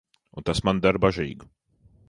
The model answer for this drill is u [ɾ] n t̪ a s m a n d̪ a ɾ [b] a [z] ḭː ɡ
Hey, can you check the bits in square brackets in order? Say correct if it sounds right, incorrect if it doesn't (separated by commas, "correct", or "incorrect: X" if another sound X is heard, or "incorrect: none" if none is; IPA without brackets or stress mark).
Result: incorrect: none, correct, incorrect: ʒ